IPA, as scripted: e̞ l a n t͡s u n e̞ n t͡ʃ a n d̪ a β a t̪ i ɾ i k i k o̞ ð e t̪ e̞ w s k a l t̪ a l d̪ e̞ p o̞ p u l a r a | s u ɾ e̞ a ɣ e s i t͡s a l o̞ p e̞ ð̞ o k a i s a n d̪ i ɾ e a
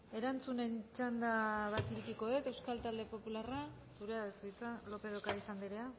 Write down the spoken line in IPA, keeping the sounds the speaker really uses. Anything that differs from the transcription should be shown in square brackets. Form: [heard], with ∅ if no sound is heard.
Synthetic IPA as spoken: e̞ [ɾ] a n t͡s u n e̞ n t͡ʃ a n d̪ a β a t̪ i ɾ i k i k o̞ ð e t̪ e̞ w s k a l t̪ a l d̪ e̞ p o̞ p u l a r a | s u ɾ e̞ a [ð] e s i t͡s a l o̞ p e̞ ð̞ o k a i s a n d̪ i ɾ e a